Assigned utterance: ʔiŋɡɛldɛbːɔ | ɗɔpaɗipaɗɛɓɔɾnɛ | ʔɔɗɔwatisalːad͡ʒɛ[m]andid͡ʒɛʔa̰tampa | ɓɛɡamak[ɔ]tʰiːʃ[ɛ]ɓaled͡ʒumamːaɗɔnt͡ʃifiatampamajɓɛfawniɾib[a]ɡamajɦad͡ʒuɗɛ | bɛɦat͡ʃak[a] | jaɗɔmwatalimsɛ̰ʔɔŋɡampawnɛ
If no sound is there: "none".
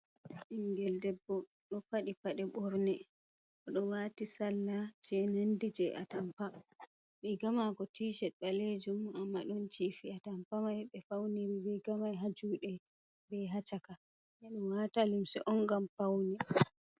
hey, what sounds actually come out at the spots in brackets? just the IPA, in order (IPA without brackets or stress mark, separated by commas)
n, ɔ, ɛ, ɛ, a